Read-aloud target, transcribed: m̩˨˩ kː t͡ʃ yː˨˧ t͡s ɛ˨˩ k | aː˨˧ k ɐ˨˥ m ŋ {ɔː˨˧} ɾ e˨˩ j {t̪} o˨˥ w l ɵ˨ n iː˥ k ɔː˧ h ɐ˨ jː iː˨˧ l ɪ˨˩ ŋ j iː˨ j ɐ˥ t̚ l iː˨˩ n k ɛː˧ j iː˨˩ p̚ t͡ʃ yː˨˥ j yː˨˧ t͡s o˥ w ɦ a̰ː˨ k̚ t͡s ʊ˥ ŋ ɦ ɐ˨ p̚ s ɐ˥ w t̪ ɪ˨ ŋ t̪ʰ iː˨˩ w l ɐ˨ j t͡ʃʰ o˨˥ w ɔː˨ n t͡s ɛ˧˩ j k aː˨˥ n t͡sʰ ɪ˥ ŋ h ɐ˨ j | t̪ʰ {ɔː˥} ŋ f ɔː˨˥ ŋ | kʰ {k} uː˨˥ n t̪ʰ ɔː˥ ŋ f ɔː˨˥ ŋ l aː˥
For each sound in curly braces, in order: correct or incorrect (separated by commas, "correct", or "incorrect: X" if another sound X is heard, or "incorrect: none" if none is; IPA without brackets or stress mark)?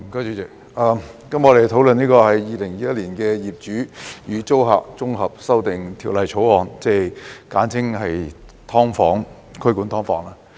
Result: incorrect: ɔ˨˧, incorrect: t̪ʰ, correct, correct